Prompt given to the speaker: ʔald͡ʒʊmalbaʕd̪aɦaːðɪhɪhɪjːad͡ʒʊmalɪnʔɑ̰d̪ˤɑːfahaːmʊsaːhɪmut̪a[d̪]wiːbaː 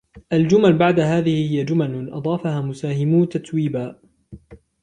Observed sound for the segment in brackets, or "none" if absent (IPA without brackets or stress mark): t̪